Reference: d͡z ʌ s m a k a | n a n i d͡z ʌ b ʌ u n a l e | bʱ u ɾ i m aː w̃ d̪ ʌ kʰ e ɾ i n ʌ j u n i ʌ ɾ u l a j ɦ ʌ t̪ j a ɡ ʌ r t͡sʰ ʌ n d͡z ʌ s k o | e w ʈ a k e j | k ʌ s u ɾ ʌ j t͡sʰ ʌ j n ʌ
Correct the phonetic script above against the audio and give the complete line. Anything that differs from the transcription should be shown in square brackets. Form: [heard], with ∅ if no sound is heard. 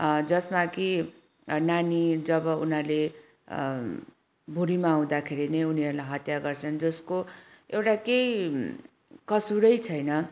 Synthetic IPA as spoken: d͡z ʌ s m a k [i] | n a n i d͡z ʌ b ʌ u n a l e | bʱ u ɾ i m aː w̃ d̪ [a] kʰ e ɾ i n ʌ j u n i ʌ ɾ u l a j ɦ ʌ t̪ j a ɡ ʌ r t͡sʰ ʌ n d͡z ʌ s k o | e w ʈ a k e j | k ʌ s u ɾ ʌ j t͡sʰ ʌ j n ʌ